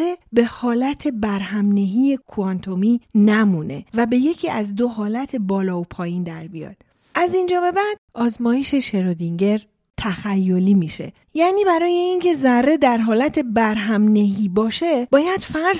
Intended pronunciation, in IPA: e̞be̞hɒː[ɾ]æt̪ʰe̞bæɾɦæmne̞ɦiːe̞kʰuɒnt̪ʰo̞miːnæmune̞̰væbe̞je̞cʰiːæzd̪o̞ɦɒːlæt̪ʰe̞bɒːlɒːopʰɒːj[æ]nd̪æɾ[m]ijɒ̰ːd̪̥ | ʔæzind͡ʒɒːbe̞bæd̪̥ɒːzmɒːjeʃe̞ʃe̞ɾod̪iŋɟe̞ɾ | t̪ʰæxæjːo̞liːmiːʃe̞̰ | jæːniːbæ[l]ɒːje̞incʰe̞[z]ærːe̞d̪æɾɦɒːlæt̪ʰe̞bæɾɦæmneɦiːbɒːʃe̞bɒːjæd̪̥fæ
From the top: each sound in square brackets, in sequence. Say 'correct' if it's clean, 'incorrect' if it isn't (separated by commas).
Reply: incorrect, incorrect, incorrect, incorrect, correct